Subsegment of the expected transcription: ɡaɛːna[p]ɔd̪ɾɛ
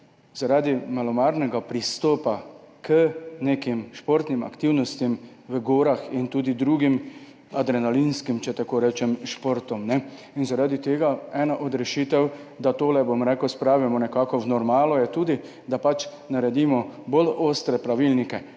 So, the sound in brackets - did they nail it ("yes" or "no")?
no